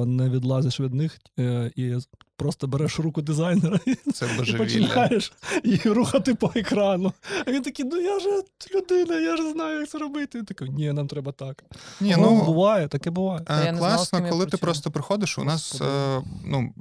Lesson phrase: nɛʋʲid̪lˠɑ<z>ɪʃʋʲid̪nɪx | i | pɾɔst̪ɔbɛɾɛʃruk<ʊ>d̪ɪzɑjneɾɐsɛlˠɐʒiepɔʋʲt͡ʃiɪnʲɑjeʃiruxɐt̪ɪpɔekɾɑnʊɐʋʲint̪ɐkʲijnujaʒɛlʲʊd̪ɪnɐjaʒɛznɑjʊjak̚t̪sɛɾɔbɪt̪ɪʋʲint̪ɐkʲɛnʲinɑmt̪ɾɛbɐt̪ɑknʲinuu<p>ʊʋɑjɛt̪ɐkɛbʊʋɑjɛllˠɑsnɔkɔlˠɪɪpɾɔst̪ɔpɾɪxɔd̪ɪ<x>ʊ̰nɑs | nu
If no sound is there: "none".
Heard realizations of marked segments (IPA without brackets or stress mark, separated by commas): z, ʊ, b, ʃ